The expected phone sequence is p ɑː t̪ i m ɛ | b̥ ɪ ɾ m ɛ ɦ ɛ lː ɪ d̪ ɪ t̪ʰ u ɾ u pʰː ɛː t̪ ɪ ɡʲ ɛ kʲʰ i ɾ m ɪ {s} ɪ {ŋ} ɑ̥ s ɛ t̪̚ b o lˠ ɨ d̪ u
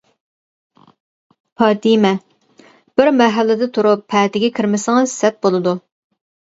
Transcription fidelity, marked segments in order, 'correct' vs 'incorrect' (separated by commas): correct, correct